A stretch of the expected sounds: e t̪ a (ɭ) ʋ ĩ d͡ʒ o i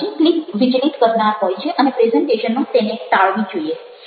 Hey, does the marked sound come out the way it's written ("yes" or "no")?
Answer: yes